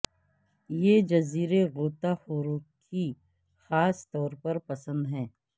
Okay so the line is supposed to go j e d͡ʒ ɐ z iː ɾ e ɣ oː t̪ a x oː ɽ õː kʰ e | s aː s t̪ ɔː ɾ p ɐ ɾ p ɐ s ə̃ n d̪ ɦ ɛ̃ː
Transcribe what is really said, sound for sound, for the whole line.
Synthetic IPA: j e d͡ʒ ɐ z iː ɾ e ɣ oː t̪ a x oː ɾ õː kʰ i | x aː s t̪ ɔː ɾ p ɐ ɾ p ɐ s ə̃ n d̪ ɦ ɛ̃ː